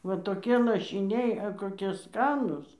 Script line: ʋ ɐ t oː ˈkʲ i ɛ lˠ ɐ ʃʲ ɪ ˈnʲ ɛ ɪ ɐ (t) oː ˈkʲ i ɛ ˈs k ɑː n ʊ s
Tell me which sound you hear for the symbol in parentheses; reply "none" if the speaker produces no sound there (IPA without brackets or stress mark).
k